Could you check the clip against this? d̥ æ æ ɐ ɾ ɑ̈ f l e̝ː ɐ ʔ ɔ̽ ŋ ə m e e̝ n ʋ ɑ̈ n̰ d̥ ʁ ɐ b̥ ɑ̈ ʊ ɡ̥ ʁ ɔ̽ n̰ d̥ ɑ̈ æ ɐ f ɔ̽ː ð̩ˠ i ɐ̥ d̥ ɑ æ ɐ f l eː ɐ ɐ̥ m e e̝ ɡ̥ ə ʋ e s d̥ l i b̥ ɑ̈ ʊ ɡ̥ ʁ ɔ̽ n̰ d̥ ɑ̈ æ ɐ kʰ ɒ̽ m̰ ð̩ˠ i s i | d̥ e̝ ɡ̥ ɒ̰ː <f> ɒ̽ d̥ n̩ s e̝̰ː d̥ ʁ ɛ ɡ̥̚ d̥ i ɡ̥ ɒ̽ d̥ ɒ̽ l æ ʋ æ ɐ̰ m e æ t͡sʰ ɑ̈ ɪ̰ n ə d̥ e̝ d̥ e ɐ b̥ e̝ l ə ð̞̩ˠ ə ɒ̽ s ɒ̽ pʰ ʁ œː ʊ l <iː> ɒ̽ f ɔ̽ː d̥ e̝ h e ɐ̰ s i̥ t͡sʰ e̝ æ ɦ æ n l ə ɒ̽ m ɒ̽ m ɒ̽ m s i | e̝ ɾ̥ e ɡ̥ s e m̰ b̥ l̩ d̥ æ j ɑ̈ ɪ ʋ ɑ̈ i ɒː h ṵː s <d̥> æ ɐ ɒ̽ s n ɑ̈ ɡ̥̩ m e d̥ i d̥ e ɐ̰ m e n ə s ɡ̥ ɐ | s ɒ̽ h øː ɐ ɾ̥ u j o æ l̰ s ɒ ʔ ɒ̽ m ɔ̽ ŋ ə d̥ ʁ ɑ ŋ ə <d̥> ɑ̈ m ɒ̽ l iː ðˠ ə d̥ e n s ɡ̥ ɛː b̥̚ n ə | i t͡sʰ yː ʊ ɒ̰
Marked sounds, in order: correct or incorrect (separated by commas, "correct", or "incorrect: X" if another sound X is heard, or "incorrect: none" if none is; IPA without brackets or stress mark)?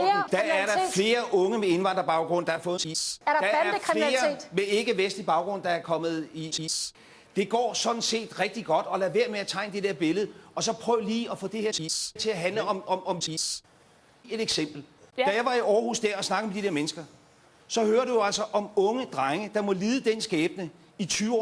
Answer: incorrect: s, correct, correct, correct